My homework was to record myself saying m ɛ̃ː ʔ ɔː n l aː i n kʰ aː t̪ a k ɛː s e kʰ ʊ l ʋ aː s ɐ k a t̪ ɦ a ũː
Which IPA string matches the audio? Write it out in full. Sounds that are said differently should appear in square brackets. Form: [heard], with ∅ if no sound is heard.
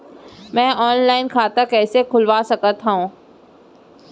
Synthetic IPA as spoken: m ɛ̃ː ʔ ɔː n l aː [ɪ] n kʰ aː t̪ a k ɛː s e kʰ ʊ l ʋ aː s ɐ k [ə] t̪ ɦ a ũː